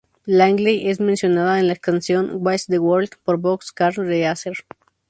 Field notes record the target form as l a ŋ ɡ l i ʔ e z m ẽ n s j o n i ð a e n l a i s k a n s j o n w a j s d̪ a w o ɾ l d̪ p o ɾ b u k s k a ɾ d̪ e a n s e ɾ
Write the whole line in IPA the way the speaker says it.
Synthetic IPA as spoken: l a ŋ ɡ l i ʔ e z m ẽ n s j o n a ð a e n l a e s k a n s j o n w a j s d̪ e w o ɾ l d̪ p o ɾ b o k s k a ɾ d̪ e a s e ɾ

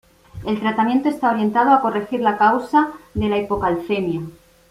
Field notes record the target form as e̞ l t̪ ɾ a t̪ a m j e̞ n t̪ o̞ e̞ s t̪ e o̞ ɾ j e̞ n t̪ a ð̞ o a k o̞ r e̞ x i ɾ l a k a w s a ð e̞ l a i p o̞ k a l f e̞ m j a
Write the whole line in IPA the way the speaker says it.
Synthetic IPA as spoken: e̞ l t̪ ɾ a t̪ a m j e̞ n t̪ o̞ e̞ s t̪ a o̞ ɾ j e̞ n t̪ a ð̞ o a k o̞ r e̞ x i ɾ l a k a w s a ð e̞ l a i p o̞ k a l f e̞ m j a

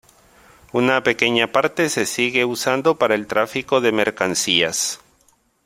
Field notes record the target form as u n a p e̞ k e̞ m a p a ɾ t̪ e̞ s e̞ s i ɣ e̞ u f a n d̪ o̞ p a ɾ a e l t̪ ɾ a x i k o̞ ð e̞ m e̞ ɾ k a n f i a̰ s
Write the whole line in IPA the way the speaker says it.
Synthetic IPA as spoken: u n a p e̞ k e̞ ɲ a p a ɾ t̪ e̞ s e̞ s i ɣ e̞ u s a n d̪ o̞ p a ɾ a e l t̪ ɾ a f i k o̞ ð e̞ m e̞ ɾ k a n s i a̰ s

